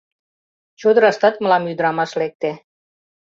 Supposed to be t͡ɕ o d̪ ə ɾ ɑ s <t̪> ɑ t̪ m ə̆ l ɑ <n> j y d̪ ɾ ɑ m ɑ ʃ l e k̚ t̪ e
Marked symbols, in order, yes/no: yes, no

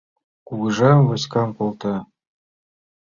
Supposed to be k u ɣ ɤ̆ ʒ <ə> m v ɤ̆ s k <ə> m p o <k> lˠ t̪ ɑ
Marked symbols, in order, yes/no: no, no, no

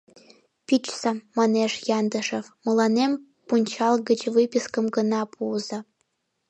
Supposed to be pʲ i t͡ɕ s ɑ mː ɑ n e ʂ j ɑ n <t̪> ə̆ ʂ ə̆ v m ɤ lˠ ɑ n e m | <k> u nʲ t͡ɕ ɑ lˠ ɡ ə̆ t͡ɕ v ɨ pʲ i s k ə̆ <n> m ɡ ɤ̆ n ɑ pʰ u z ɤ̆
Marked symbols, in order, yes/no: no, no, no

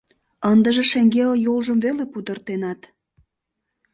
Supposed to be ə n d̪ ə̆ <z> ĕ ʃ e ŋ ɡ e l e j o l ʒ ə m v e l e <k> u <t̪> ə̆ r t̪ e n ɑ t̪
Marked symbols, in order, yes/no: no, no, no

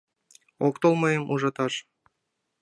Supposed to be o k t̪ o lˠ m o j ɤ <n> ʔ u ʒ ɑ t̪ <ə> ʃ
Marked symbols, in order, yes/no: no, no

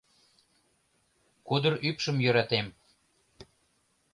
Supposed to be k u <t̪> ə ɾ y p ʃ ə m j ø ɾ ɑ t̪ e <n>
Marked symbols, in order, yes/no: no, no

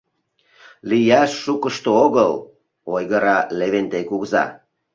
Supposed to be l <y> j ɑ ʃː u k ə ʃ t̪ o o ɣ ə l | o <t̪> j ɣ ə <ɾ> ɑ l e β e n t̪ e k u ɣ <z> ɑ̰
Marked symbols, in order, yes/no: no, no, yes, yes

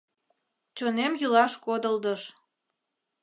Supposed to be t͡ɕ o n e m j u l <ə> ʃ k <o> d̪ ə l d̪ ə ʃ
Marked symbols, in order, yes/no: no, yes

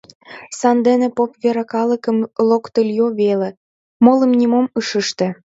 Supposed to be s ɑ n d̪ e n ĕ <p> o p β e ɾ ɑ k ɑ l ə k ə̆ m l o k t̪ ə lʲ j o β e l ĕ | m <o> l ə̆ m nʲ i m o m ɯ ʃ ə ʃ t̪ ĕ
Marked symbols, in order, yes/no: yes, yes

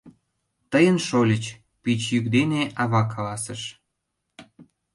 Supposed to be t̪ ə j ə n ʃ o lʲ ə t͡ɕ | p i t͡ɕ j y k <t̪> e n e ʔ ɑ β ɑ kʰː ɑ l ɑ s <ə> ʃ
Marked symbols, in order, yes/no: no, yes

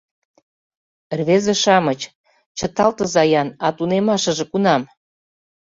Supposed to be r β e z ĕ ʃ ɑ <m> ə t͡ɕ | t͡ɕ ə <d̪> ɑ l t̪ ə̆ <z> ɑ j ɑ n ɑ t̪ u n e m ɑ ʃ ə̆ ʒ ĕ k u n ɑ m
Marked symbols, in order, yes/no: yes, no, yes

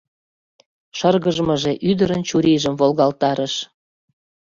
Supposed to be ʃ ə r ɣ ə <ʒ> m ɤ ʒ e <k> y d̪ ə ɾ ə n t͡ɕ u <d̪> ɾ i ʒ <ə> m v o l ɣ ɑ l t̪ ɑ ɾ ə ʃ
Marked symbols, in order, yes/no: yes, no, no, yes

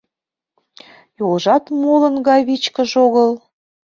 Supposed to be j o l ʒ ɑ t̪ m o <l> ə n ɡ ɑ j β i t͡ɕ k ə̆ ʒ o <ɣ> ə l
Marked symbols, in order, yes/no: yes, yes

